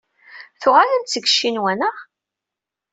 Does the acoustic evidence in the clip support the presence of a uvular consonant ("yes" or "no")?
yes